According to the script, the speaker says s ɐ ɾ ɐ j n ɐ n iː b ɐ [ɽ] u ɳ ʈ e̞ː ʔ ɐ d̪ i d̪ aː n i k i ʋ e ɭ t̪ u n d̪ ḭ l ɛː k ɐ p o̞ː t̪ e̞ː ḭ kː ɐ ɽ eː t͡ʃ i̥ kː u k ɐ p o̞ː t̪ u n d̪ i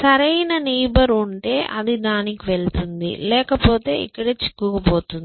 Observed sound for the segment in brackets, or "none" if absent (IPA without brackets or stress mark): ɾ